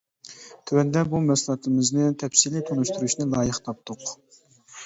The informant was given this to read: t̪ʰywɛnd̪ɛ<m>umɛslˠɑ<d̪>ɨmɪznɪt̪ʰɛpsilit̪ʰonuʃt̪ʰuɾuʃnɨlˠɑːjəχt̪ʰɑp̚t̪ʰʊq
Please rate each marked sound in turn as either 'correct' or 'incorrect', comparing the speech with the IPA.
incorrect, incorrect

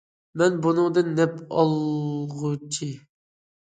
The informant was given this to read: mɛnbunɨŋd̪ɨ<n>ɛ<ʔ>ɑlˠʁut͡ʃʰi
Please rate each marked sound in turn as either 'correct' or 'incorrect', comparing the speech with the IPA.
incorrect, incorrect

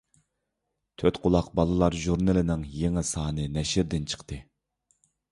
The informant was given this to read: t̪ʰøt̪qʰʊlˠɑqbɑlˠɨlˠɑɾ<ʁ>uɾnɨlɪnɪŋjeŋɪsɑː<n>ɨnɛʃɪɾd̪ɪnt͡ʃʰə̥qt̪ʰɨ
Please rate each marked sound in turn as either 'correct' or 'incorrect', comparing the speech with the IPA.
incorrect, correct

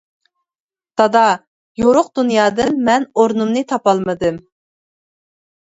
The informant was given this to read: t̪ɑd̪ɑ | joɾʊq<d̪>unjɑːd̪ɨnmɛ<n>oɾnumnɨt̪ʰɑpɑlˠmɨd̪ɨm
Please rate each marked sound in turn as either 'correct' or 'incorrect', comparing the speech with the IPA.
correct, correct

